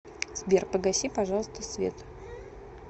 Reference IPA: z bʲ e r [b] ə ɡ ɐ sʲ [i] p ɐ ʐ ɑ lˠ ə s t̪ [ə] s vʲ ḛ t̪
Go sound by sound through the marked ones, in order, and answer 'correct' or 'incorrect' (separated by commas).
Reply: incorrect, correct, correct